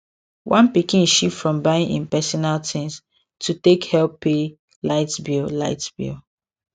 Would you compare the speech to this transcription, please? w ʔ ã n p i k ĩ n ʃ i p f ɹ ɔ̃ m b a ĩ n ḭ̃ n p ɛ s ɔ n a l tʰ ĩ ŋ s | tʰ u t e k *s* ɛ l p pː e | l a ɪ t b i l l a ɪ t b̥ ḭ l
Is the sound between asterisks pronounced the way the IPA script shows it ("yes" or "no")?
no